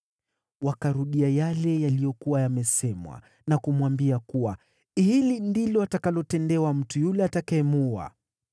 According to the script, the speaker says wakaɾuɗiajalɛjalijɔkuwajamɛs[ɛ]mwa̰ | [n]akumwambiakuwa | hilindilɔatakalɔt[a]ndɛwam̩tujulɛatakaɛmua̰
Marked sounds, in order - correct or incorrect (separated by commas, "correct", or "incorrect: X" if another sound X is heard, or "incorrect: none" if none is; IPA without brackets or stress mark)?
correct, correct, incorrect: ɛ